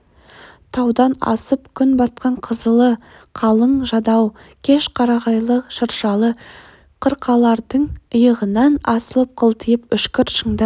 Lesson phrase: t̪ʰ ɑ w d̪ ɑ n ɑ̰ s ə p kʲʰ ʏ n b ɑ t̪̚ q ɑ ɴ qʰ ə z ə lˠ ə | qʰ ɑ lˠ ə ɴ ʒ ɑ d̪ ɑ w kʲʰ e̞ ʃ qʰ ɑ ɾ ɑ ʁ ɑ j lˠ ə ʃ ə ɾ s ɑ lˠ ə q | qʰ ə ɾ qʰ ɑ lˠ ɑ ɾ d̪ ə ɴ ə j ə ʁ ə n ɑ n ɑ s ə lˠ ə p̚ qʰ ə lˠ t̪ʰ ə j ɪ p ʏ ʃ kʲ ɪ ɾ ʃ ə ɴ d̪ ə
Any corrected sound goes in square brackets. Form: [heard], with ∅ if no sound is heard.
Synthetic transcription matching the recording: t̪ʰ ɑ w d̪ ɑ n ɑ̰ s ə p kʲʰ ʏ n b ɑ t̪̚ q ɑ ɴ qʰ ə z ə lˠ ə | qʰ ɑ lˠ ə ɴ ʒ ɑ d̪ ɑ w kʲʰ e̞ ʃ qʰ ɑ ɾ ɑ ʁ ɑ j lˠ ə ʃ ə ɾ [ʃ] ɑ lˠ ə [∅] | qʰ ə ɾ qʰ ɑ lˠ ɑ ɾ d̪ ə ɴ ə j ə ʁ ə n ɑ n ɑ s ə lˠ ə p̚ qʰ ə lˠ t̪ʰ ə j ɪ p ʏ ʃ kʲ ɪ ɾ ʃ ə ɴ d̪ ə